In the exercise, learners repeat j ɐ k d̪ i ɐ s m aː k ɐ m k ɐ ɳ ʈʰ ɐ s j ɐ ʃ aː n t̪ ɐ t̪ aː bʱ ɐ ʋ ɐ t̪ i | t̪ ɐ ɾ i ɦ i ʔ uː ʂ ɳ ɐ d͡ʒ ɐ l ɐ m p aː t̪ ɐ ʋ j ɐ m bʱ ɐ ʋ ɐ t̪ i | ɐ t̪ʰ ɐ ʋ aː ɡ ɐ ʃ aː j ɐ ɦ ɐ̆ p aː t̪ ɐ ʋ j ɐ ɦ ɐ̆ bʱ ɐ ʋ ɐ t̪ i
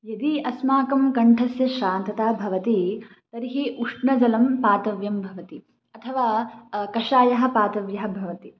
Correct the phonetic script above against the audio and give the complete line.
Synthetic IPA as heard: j ɐ d̪ i ɐ s m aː k ɐ m k ɐ ɳ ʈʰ ɐ s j ɐ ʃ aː n t̪ ɐ t̪ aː bʱ ɐ ʋ ɐ t̪ i | t̪ ɐ ɾ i ɦ i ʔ u ʂ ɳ ɐ d͡ʒ ɐ l ɐ m p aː t̪ ɐ ʋ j ɐ m bʱ ɐ ʋ ɐ t̪ i | ɐ t̪ʰ ɐ ʋ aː k ɐ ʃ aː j ɐ ɦ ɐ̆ p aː t̪ ɐ ʋ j ɐ ɦ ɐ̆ bʱ ɐ ʋ ɐ t̪ i